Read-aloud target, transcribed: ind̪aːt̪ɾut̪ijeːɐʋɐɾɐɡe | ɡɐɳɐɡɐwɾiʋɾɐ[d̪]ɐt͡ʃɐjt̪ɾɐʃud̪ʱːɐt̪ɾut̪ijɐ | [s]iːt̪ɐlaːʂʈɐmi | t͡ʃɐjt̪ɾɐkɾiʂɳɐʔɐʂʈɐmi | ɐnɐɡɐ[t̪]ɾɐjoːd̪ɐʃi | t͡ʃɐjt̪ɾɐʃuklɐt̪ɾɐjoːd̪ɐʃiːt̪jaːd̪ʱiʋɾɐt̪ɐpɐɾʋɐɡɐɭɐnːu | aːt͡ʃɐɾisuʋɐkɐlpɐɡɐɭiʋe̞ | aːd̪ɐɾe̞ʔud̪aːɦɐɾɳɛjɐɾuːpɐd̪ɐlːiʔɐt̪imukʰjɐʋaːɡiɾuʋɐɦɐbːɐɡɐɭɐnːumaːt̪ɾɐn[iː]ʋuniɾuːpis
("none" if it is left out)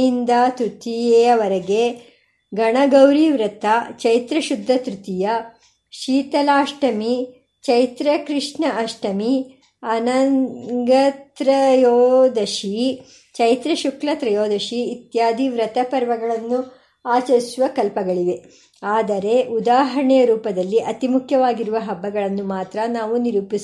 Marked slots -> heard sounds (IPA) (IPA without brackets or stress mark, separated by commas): t̪, ʃ, t̪, aː